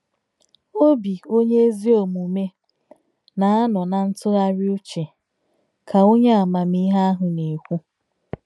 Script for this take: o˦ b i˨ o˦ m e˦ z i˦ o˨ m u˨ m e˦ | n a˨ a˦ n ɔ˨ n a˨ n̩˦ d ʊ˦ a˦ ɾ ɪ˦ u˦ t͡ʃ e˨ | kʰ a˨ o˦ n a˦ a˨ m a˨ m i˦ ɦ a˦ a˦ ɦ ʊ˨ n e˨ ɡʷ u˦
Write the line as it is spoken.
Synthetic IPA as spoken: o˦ b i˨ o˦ ɲ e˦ z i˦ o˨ m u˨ m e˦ | n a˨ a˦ n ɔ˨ n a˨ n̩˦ t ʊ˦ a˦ ɾ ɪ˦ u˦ t͡ʃ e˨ | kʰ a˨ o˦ ɲ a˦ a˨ m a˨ m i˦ ɦ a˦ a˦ ɦ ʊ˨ n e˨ kʷ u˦